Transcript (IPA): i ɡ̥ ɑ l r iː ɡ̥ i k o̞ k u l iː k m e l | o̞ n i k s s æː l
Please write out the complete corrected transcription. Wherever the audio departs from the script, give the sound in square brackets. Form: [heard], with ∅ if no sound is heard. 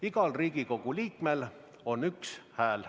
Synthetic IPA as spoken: i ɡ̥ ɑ l r iː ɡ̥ i k o̞ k u l iː k m e l | o̞ n [y] k s [h] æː l